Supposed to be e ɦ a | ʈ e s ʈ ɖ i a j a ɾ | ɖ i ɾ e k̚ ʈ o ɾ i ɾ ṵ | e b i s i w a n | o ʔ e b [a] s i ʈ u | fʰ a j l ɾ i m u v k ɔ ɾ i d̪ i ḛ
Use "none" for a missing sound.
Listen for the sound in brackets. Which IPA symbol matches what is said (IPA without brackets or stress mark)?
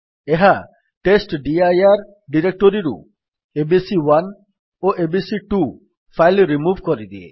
i